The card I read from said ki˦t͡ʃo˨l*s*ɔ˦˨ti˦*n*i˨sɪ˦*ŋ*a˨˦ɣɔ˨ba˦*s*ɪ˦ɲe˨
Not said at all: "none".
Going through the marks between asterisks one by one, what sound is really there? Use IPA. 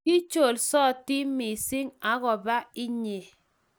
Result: s, m, ŋ, none

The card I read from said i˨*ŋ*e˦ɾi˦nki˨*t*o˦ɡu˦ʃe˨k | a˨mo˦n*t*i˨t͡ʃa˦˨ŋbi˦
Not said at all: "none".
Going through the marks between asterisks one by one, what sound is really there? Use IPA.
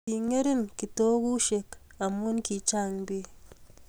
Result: ŋ, t, k

